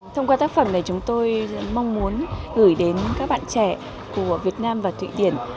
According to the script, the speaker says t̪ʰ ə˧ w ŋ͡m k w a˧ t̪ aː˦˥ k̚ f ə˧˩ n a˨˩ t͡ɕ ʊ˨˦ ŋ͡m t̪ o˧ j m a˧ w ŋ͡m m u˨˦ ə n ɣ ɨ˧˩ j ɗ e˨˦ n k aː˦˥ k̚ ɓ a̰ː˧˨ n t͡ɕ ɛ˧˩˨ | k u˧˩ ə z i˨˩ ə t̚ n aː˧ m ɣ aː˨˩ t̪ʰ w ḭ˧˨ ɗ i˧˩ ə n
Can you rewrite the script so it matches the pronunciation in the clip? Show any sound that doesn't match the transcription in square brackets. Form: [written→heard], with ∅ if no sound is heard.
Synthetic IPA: t̪ʰ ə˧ w ŋ͡m k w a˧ t̪ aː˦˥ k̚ f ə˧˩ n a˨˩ t͡ɕ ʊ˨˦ ŋ͡m t̪ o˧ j m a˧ w ŋ͡m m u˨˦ ə n ɣ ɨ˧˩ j ɗ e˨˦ n k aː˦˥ k̚ ɓ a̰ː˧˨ n t͡ɕ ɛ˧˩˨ | k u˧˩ ə [z→v] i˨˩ ə t̚ n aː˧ m [ɣ→v] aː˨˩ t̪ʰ w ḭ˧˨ ɗ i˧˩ ə n